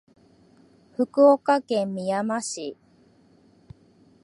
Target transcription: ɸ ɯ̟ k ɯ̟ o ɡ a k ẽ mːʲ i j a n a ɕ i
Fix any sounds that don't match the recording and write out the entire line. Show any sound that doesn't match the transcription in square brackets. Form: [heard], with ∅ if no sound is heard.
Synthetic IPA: ɸ ɯ̟ k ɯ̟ o [k] a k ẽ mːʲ i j a [m] a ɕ i